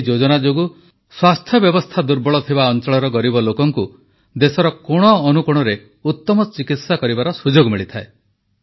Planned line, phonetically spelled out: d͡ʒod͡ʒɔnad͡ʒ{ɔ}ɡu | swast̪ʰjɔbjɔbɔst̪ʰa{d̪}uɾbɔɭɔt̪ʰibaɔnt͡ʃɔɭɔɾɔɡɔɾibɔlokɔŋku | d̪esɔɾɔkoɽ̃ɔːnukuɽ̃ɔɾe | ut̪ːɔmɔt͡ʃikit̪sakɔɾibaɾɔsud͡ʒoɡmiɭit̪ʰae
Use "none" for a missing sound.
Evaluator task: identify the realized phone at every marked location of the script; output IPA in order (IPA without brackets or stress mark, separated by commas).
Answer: o, d̪